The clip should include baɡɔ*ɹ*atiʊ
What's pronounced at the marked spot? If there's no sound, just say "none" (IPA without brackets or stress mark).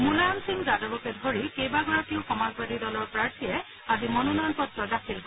ɹ